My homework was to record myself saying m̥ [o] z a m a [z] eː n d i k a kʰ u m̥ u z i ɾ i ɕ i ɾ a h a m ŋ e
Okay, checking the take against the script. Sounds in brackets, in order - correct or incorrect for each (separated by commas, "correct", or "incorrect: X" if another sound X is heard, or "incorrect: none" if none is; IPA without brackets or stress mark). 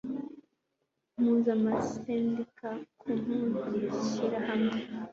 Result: incorrect: u, incorrect: s